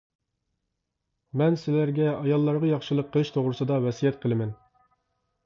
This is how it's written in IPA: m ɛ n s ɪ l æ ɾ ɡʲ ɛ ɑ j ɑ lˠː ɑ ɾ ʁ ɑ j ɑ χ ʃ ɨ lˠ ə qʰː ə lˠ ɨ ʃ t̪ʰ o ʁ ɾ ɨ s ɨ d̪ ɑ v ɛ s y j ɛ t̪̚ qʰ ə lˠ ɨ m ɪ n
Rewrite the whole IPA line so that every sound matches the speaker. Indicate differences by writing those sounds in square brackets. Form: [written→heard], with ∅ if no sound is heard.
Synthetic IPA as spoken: m ɛ n s ɪ l æ ɾ ɡʲ ɛ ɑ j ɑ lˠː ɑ ɾ ʁ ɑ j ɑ χ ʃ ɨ lˠ ə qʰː ə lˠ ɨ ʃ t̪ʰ o ʁ ɾ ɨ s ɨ d̪ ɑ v ɛ s [y→i] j ɛ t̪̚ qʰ ə lˠ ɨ m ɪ n